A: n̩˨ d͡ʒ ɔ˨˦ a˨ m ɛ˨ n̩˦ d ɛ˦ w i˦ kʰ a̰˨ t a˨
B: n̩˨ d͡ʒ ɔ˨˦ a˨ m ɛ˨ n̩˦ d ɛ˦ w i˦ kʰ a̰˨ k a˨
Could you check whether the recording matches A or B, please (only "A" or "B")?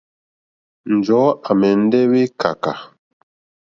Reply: B